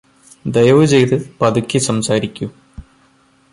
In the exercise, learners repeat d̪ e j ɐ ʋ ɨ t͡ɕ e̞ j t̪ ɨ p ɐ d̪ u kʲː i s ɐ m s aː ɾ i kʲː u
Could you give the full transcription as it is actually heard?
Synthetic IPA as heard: d̪ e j ɐ ʋ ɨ t͡ɕ e̞ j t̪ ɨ p ɐ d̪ u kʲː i s ɐ m s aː ɾ i kʲː u